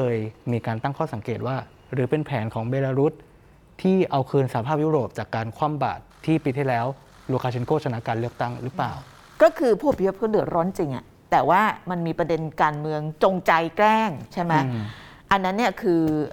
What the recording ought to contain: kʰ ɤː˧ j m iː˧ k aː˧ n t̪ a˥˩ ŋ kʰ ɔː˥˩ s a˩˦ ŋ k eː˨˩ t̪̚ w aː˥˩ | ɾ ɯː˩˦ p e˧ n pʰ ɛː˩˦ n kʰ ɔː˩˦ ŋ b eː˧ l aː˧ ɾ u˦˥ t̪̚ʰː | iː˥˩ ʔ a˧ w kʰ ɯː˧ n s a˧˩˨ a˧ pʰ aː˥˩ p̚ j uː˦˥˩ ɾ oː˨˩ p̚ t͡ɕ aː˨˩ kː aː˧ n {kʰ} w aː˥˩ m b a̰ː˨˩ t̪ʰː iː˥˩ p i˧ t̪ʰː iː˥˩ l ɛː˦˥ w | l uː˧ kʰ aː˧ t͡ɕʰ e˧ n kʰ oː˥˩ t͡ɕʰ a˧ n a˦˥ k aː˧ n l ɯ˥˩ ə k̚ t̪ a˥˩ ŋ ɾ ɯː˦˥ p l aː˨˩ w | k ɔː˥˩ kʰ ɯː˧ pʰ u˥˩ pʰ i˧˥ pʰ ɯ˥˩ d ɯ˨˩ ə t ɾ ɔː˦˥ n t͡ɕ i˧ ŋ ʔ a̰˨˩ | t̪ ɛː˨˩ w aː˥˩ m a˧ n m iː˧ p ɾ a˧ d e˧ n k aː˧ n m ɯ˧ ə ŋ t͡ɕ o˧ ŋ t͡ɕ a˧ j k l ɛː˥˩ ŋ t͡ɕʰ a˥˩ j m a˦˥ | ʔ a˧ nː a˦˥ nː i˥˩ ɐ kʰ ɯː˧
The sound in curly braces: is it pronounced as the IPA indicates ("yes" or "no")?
yes